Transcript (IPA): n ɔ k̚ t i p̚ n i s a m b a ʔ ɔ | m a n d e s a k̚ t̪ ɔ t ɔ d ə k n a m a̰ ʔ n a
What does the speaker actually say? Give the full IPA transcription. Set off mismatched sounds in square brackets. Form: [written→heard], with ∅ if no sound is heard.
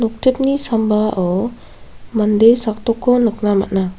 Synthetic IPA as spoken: n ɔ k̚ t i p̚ n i s a m b a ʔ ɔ | m a n d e s a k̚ t̪ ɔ [t→k] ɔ [d→n] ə k n a m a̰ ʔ n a

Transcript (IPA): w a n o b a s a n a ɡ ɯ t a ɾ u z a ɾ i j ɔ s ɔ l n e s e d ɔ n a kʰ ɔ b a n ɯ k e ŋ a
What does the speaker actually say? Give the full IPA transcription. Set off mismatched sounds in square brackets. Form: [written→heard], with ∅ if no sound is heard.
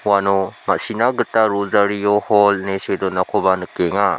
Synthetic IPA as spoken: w a n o [b→m] a s [a→i] n a ɡ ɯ t a ɾ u z a ɾ i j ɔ [s→h] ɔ l n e s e d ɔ n a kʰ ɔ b a n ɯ k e ŋ a

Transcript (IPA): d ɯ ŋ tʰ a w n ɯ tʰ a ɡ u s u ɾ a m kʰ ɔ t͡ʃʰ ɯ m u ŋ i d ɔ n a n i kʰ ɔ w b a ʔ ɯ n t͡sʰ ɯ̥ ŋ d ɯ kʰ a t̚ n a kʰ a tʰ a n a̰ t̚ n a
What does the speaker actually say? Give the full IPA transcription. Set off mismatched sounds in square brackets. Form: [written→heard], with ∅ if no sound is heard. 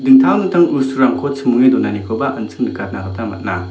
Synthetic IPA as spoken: d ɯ ŋ tʰ a w n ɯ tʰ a [ɡ→ŋ] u s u ɾ a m kʰ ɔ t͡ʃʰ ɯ m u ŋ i d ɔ n a n i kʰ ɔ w b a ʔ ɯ n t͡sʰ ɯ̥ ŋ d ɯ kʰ a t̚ n a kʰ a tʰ a [n→m] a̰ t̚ n a

